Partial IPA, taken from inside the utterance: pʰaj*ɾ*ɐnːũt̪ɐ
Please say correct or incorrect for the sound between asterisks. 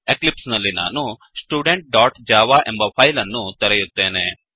incorrect